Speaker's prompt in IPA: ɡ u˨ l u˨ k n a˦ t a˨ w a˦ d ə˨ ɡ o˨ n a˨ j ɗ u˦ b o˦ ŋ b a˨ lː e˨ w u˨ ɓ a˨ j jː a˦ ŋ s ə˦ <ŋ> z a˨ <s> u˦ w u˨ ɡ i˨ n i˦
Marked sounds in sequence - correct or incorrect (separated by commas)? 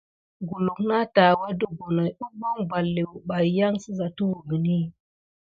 incorrect, incorrect